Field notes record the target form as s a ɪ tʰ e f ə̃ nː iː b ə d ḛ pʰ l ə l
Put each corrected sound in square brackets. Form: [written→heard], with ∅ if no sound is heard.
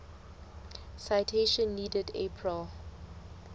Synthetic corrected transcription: s a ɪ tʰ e [f→ʃ] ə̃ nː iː [b→d] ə d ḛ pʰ [l→ɹ] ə l

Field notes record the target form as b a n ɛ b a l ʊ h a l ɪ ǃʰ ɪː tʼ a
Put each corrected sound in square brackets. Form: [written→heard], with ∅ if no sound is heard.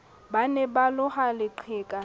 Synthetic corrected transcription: b a n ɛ b a l ʊ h a l ɪ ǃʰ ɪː [tʼ→kʼ] a

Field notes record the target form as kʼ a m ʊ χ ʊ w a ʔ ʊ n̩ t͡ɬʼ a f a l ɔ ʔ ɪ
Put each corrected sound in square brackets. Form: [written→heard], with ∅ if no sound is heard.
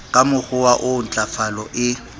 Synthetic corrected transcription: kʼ a m ʊ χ ʊ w a ʔ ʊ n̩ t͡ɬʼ a f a l ɔ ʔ ɪ

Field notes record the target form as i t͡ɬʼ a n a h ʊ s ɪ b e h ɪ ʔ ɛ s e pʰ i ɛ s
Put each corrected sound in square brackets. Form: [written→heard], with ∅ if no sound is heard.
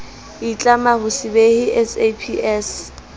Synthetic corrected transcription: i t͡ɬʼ a [n→m] a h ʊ s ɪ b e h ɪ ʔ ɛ s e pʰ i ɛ s

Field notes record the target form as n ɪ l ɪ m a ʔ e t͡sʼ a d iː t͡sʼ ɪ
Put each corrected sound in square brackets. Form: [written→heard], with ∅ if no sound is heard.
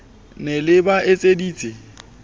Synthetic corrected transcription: n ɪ l ɪ [m→b] a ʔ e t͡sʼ [a→e] d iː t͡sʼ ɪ

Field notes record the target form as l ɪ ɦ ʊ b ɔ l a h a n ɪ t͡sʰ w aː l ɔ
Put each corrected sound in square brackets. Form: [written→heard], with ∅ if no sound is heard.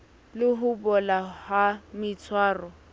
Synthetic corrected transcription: l ɪ ɦ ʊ b ɔ l a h a [n→m] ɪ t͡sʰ w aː [l→r] ɔ

